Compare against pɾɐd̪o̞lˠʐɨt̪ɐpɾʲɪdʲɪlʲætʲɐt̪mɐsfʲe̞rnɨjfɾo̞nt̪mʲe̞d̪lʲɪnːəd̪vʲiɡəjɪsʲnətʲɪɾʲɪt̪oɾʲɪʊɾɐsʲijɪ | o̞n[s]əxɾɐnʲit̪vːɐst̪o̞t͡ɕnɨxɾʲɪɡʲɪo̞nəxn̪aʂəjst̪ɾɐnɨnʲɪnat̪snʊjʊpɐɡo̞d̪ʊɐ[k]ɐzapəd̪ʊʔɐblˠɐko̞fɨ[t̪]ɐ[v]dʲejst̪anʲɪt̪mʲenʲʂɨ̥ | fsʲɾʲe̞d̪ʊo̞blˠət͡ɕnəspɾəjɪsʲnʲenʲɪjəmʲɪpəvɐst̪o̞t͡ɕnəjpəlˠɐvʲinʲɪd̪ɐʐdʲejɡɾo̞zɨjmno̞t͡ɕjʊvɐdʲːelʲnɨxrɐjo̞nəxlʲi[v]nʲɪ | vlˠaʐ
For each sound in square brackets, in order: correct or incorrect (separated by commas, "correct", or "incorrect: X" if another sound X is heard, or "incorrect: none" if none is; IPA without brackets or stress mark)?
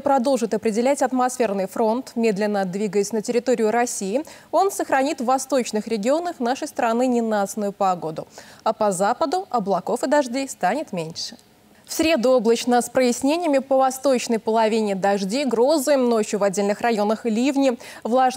correct, incorrect: p, incorrect: d̪, incorrect: ʐ, correct